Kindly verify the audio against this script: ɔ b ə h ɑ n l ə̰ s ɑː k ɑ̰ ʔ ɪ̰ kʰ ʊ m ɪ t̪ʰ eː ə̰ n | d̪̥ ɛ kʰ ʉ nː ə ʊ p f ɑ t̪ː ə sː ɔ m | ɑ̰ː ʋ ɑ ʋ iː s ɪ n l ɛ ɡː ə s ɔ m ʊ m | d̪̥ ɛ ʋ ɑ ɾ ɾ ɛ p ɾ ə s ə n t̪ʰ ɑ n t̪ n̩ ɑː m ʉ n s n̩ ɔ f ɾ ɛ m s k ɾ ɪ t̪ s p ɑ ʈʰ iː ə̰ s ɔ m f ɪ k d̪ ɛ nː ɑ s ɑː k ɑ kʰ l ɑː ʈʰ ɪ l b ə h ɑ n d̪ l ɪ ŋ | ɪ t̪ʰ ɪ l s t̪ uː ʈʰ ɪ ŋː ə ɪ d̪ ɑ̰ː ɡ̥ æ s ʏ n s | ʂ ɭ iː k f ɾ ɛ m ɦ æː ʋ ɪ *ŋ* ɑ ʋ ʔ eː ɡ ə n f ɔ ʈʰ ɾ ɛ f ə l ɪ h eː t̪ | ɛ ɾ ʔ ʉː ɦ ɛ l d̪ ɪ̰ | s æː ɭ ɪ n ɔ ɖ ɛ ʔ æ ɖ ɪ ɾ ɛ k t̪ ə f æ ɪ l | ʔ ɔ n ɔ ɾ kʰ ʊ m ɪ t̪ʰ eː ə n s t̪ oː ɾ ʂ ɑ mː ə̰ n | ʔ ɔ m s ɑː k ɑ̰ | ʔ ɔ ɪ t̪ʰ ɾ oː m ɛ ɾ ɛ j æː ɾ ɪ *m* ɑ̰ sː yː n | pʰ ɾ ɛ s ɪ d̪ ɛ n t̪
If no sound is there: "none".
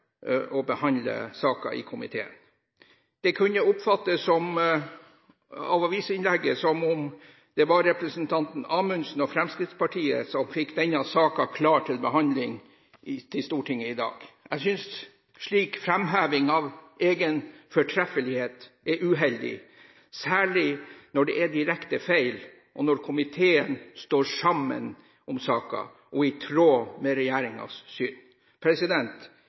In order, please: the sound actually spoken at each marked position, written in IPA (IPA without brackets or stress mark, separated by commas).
ŋ, ŋ